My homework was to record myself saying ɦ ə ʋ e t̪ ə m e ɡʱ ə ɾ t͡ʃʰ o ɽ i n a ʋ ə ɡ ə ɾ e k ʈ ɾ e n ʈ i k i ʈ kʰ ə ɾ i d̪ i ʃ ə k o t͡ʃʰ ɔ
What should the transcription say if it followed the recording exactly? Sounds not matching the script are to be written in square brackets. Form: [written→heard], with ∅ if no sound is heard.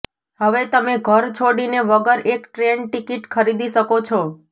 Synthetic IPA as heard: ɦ ə ʋ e t̪ ə m e ɡʱ ə ɾ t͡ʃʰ o ɽ i n [a→e] ʋ ə ɡ ə ɾ e k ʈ ɾ e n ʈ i k i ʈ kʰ ə ɾ i d̪ i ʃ ə k o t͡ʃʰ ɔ